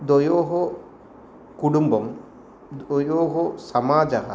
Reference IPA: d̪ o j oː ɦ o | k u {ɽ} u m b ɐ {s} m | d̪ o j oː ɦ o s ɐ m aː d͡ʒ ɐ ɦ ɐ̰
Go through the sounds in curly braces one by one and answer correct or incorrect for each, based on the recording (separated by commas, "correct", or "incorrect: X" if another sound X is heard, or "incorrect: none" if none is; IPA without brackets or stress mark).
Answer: correct, incorrect: none